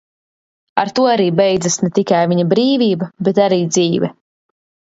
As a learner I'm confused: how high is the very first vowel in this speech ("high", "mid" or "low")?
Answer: low